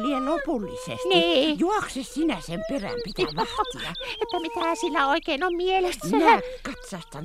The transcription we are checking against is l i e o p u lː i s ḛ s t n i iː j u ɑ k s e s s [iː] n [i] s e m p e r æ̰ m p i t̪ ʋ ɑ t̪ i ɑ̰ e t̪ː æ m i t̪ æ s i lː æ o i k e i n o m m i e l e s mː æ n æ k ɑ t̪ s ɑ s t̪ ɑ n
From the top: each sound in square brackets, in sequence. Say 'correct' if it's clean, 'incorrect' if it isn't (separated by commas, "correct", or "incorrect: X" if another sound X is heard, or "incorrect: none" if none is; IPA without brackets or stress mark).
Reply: incorrect: i, incorrect: æ